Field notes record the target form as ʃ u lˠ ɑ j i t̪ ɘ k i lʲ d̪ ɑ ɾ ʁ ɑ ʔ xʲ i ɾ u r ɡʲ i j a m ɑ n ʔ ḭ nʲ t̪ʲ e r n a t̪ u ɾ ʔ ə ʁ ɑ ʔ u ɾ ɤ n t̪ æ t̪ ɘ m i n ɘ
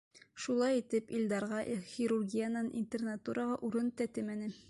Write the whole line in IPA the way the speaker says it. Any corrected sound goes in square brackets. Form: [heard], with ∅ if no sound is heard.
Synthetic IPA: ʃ u lˠ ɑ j i t̪ ɘ [p] i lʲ d̪ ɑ ɾ ʁ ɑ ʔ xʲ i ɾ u r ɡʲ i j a [n] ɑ n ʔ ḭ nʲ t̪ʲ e r n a t̪ u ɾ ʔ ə ʁ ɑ ʔ u ɾ ɤ n t̪ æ t̪ ɘ m [æ] n ɘ